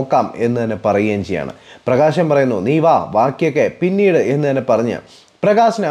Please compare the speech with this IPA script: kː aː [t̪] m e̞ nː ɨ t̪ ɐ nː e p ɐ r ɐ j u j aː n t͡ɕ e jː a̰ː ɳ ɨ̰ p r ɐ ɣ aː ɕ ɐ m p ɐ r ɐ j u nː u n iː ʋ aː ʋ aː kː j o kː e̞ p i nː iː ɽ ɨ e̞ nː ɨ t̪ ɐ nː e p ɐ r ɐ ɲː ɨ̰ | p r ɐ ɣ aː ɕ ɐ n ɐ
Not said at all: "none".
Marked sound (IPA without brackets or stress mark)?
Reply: none